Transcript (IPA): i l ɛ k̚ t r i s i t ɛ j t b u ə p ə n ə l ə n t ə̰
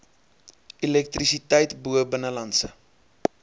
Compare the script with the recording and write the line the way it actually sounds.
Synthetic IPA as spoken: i l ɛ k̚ t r i s i t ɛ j t b u ə b ə n ə l ɐ n s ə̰